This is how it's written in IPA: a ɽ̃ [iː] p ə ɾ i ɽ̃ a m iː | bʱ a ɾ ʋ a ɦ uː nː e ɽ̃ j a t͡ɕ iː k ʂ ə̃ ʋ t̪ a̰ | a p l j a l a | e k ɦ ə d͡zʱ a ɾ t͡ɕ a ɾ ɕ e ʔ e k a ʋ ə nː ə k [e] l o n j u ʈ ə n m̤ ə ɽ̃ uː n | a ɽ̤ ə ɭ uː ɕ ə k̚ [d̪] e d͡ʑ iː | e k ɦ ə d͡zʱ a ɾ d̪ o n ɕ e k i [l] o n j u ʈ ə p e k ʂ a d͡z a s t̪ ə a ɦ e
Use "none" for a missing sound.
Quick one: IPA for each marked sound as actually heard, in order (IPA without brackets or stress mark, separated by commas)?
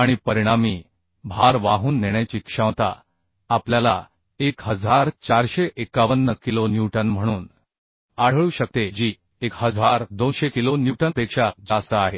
i, i, t̪, l